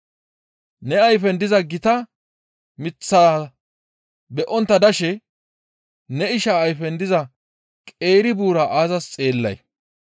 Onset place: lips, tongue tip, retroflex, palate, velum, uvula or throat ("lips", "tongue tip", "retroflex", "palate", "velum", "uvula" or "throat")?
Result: tongue tip